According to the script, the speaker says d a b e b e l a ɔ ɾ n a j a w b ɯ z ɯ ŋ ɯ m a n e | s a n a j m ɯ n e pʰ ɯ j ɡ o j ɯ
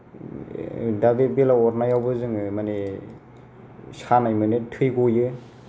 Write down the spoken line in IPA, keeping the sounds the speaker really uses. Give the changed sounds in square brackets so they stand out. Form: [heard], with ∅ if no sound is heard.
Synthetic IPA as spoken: d a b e b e l a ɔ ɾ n a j a w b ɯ z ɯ ŋ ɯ m a n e | s a n a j m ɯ n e [tʰ] ɯ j ɡ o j ɯ